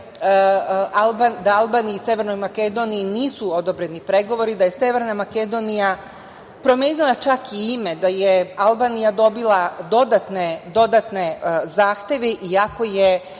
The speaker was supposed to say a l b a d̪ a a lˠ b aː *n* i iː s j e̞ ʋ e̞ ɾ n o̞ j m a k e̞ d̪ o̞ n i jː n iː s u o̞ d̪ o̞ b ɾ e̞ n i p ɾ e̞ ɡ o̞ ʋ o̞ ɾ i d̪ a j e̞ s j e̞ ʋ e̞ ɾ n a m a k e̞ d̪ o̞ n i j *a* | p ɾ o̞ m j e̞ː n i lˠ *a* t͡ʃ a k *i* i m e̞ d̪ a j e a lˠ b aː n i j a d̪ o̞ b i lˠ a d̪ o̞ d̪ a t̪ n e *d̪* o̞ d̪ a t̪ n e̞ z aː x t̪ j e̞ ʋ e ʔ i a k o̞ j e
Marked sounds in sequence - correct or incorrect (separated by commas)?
correct, correct, correct, correct, correct